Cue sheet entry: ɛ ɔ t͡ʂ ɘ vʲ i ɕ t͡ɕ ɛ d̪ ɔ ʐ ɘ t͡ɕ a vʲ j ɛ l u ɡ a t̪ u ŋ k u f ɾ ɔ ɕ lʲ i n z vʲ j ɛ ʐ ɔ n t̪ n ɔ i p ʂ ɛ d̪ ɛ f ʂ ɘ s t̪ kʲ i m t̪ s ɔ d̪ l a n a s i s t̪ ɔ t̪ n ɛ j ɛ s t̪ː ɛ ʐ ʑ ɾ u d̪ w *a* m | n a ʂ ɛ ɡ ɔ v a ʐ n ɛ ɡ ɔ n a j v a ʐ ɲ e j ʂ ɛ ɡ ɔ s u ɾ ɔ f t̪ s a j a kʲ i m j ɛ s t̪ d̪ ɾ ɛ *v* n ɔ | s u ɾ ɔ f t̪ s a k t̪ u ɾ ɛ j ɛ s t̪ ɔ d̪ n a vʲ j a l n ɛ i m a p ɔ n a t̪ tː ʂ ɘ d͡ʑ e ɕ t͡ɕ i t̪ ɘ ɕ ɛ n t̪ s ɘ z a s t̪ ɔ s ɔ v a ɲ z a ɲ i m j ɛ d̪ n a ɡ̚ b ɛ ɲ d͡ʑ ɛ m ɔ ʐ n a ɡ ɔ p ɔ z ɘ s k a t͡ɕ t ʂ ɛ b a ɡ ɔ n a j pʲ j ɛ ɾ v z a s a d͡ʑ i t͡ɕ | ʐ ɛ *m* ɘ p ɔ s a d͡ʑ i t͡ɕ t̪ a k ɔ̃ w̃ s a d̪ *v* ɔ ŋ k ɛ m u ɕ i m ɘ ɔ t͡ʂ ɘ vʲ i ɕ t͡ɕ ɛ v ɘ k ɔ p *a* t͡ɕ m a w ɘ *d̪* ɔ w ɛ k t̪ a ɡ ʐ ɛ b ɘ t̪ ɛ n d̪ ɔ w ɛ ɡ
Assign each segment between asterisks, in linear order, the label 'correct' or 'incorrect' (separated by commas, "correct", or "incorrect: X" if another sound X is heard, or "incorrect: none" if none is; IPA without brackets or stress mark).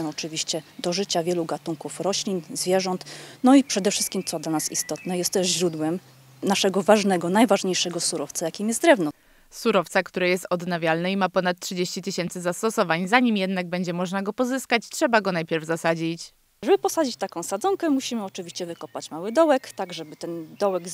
incorrect: ɛ, correct, incorrect: b, incorrect: z, correct, correct